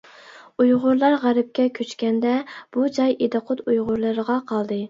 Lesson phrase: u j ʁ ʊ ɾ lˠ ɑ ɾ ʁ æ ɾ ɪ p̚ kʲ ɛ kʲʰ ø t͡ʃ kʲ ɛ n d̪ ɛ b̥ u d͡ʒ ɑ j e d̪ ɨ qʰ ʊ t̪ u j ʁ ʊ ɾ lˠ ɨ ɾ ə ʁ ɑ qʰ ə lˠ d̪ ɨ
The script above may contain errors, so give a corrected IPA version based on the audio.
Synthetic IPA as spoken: u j ʁ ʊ ɾ lˠ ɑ ɾ ʁ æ ɾ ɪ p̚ kʲ ɛ kʲʰ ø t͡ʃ kʲ ɛ n d̪ ɛ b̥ u d͡ʒ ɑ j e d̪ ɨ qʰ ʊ t̪ u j ʁ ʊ ɾ lˠ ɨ ɾ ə ʁ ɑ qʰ ɑ lˠ d̪ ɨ